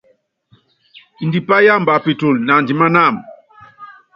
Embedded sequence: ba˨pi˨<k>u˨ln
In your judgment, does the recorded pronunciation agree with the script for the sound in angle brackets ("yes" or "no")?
no